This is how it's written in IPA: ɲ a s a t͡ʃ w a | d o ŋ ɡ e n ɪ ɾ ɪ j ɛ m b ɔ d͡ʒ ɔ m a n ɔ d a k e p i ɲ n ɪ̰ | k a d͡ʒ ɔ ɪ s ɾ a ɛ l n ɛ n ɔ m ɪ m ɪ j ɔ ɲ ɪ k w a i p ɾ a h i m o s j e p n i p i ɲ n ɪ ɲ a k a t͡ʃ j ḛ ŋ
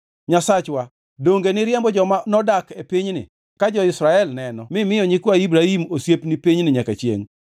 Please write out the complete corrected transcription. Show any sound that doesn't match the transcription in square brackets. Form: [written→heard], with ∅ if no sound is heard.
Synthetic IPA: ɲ a s a t͡ʃ w a | d o ŋ ɡ e n ɪ ɾ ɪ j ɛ m b ɔ d͡ʒ ɔ m a n ɔ d a k e p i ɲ n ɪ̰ | k a d͡ʒ ɔ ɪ s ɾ a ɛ l n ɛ n ɔ m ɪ m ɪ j ɔ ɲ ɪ k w a i [p→b] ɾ a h i m o s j e p n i p i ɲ n ɪ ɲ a k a t͡ʃ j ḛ ŋ